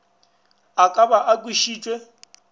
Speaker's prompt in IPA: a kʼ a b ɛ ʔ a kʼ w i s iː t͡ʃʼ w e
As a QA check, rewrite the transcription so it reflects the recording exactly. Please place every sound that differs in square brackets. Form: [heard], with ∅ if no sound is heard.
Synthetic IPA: a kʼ a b [a] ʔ a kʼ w i [ʃ] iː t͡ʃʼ w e